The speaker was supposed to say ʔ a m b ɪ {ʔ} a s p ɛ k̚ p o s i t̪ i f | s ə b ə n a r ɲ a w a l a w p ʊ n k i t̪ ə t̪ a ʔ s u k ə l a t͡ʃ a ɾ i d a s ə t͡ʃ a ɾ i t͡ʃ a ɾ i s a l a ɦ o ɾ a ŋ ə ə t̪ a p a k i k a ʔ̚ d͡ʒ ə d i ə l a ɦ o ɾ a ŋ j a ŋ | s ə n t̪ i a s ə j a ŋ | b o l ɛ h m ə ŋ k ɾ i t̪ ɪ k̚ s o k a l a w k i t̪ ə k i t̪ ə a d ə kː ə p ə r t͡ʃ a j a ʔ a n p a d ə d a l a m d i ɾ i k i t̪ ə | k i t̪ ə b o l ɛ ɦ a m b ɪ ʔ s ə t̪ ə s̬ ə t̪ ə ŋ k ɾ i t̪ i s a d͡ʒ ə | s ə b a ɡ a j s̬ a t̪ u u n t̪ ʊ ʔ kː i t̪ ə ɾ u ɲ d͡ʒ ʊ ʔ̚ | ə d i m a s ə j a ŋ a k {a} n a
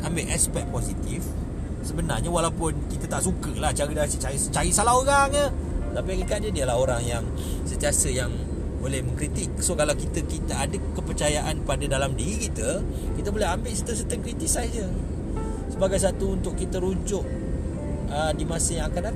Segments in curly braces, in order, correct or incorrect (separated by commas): correct, correct